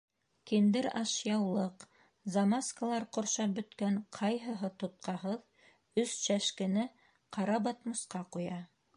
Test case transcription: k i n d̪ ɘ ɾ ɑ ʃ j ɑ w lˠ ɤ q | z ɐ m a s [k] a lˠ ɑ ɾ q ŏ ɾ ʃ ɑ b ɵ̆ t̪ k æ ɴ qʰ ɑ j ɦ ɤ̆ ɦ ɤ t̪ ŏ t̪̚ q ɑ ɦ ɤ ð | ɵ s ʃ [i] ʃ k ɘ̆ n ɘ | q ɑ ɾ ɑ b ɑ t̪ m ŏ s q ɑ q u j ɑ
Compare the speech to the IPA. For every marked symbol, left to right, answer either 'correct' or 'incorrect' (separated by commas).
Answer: correct, incorrect